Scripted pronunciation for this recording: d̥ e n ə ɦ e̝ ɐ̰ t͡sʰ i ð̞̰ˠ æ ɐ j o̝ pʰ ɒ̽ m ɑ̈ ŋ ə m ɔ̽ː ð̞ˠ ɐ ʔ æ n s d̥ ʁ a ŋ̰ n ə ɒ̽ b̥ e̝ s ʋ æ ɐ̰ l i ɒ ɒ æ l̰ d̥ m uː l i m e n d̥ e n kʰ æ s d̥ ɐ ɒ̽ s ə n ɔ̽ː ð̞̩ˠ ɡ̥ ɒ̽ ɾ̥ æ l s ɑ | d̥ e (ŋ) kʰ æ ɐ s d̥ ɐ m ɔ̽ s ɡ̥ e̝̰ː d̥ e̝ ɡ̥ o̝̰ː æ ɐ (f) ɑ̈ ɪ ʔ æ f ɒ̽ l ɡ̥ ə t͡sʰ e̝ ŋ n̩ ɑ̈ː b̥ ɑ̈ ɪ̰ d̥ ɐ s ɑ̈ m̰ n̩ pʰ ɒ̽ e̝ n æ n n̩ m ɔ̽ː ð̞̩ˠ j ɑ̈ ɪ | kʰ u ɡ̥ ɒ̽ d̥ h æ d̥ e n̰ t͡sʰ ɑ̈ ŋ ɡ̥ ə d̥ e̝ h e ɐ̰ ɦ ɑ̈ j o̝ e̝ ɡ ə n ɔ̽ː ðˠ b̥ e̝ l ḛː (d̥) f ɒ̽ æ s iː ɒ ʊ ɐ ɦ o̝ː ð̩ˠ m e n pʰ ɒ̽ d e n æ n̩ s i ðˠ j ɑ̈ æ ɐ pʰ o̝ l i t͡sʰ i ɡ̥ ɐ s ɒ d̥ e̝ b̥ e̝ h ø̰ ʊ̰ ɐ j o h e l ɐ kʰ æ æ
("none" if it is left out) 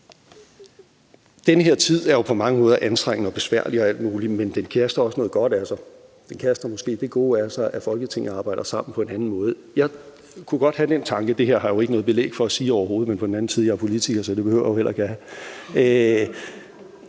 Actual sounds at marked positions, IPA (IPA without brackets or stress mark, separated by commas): n, s, ɡ̥